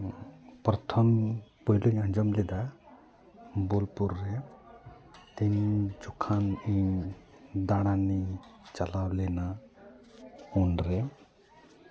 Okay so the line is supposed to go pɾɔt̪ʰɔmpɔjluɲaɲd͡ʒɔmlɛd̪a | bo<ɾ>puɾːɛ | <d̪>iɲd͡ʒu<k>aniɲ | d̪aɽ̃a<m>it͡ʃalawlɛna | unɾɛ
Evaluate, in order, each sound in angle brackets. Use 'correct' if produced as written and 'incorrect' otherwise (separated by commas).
incorrect, incorrect, incorrect, incorrect